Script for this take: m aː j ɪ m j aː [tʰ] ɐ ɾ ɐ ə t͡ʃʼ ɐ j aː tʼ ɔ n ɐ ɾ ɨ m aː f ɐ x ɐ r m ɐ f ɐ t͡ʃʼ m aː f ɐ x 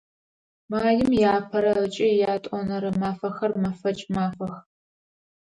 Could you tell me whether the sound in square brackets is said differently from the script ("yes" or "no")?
yes